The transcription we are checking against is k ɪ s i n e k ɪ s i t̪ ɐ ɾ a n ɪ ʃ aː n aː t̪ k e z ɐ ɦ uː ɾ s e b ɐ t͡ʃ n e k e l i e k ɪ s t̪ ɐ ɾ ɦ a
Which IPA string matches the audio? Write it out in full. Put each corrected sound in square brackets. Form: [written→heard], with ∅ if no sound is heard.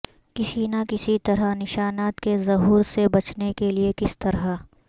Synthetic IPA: k ɪ s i n [e→a] k ɪ s i t̪ ɐ ɾ a n ɪ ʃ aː n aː t̪ k e z ɐ ɦ uː ɾ s e b ɐ t͡ʃ n e k e l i e k ɪ s t̪ ɐ ɾ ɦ a